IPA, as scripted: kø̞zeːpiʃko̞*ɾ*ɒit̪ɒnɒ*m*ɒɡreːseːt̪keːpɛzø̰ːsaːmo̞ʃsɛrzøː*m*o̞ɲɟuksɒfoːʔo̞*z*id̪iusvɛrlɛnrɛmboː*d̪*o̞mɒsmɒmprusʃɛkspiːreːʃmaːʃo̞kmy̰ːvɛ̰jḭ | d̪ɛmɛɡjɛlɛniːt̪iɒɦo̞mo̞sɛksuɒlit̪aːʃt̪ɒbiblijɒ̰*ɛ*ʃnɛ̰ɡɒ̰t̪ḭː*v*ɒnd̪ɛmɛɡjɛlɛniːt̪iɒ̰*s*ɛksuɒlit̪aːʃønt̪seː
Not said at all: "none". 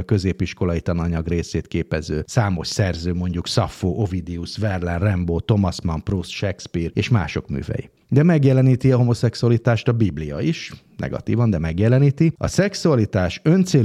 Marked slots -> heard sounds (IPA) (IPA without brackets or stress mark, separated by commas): l, ɲ, m, v, t̪, i, v, s